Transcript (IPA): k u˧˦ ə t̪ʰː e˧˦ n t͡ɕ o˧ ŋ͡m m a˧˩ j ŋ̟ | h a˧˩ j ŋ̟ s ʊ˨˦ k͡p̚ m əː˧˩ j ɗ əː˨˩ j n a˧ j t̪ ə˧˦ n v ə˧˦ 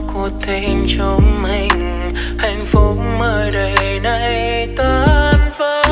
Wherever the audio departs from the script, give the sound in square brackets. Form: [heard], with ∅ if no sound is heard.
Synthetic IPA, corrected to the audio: k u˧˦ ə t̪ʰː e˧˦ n t͡ɕ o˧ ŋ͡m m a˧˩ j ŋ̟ | h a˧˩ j ŋ̟ [f] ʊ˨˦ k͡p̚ m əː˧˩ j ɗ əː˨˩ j n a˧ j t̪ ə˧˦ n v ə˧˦

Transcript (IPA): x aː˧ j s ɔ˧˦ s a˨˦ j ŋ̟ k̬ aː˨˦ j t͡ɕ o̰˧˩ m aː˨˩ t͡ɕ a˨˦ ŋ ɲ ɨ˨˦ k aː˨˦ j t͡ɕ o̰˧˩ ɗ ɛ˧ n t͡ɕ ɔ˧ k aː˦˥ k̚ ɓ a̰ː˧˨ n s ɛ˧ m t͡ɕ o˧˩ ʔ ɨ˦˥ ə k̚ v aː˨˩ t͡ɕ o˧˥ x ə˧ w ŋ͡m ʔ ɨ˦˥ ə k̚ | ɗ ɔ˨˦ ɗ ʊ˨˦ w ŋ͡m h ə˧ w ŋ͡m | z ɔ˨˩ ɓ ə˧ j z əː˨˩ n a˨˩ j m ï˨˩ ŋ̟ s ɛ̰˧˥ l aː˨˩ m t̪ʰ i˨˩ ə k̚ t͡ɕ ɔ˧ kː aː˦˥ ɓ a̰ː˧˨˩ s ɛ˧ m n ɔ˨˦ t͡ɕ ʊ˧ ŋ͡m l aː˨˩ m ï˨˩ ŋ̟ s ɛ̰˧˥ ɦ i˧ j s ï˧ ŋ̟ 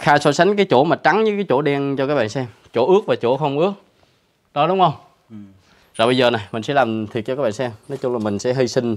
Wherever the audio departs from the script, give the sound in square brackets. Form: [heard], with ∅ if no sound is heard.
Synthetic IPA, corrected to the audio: x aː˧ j s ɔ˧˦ s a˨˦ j ŋ̟ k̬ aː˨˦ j t͡ɕ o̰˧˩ m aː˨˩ t͡ɕ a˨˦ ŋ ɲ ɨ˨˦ k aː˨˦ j t͡ɕ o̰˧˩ ɗ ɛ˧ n t͡ɕ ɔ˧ k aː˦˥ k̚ ɓ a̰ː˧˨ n s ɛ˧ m t͡ɕ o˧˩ ʔ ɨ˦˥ ə k̚ v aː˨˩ t͡ɕ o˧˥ x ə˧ w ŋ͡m ʔ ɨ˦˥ ə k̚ | ɗ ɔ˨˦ ɗ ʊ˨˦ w ŋ͡m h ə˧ w ŋ͡m | z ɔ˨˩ ɓ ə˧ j z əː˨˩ n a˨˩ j m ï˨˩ ŋ̟ s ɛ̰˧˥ l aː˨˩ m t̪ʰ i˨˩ ə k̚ t͡ɕ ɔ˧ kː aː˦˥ ɓ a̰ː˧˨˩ s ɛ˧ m n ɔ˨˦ t͡ɕ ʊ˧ ŋ͡m l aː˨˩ m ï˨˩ ŋ̟ s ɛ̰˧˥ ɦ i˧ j s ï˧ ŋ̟

